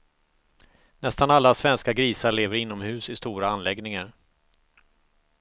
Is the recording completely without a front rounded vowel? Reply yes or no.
yes